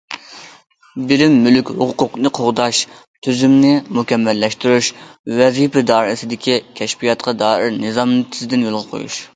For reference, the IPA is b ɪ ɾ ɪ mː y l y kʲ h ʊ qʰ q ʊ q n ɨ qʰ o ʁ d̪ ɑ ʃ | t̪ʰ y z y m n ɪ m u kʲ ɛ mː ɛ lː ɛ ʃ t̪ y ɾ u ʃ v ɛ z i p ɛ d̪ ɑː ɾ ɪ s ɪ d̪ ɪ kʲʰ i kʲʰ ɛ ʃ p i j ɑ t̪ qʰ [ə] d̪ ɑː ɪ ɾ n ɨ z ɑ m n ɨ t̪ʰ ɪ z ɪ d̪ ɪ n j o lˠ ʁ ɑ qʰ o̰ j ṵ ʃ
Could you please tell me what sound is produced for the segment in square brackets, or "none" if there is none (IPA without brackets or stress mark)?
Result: ɑ